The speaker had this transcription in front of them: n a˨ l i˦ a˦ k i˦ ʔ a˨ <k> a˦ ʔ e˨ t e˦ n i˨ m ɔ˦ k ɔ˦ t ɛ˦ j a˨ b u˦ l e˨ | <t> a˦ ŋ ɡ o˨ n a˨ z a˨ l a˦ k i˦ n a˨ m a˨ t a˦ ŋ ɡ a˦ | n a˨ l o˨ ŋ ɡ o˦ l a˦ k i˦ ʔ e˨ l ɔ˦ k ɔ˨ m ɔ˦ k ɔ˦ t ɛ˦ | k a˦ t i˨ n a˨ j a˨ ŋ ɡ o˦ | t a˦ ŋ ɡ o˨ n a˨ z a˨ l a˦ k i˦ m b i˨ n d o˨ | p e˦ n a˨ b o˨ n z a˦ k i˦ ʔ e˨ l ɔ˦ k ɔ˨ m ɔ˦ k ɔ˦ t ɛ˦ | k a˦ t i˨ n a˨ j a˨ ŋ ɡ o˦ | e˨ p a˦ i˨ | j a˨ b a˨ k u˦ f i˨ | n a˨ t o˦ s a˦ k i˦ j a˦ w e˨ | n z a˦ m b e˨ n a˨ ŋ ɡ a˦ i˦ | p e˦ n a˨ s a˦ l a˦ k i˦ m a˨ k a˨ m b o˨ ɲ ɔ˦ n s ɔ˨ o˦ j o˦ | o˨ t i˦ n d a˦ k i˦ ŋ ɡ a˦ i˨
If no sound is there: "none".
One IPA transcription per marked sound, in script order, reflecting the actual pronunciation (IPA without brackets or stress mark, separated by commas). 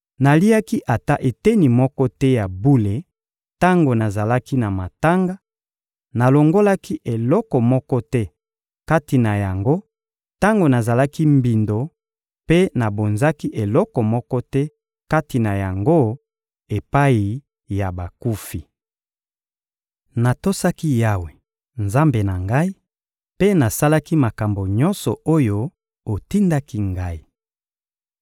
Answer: t, t